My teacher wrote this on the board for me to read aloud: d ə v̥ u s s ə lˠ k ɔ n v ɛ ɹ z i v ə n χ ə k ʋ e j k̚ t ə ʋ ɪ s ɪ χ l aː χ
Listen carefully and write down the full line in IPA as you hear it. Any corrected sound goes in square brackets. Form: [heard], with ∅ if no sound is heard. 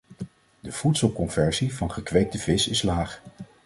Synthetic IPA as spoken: d ə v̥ u [t] s ə lˠ k ɔ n v ɛ ɹ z i v [ɑ] n χ ə k ʋ e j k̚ t ə [v] ɪ s ɪ [s] l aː χ